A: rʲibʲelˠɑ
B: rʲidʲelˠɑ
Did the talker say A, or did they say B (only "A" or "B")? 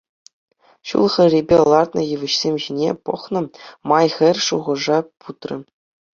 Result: A